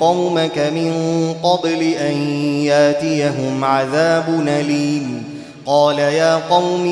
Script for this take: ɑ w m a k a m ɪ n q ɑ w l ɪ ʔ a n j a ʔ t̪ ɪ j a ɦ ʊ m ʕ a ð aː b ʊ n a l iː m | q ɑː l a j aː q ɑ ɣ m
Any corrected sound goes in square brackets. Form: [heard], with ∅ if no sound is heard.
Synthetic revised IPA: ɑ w m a k a m ɪ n q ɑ [b] l ɪ ʔ a n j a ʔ t̪ ɪ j a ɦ ʊ m ʕ a ð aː b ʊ n a l iː m | q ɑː l a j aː q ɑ [w] m